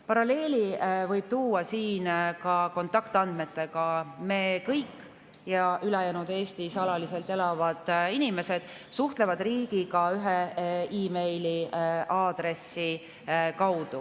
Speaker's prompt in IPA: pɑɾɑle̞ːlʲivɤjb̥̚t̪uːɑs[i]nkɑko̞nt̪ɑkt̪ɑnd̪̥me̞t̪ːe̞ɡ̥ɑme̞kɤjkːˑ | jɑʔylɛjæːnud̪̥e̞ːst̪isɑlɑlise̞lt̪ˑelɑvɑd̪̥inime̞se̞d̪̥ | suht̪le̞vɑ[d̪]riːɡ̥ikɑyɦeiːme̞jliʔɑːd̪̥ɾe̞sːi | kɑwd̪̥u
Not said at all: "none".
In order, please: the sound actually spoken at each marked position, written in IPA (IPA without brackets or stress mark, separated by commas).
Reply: iː, d̪